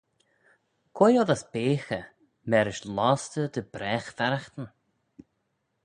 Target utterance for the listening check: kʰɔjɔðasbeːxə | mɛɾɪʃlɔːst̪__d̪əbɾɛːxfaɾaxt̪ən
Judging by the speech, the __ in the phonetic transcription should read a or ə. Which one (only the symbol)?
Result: ə